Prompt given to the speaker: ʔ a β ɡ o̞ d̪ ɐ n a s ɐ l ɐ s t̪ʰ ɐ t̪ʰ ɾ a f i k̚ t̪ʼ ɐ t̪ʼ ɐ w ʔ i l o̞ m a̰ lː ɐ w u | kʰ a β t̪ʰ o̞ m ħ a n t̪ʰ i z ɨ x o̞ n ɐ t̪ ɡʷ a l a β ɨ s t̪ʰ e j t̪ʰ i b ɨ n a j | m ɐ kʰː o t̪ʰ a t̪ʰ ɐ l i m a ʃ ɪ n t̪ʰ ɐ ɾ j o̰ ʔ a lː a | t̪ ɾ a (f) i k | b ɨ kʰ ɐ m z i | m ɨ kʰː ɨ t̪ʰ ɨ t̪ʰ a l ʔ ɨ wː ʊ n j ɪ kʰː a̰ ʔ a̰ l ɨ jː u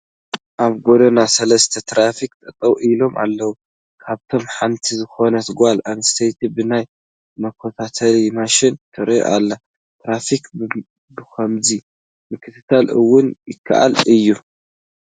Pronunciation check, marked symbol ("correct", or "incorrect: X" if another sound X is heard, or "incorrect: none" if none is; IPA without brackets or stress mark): correct